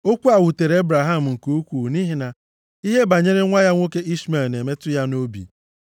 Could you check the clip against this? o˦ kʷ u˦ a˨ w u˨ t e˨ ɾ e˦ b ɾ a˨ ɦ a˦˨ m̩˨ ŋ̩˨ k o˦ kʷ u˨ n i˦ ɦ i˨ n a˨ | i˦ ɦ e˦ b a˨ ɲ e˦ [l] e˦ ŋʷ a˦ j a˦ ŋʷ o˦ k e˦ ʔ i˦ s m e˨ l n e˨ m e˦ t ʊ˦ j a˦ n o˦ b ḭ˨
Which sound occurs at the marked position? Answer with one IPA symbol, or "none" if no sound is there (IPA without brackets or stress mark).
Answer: ɾ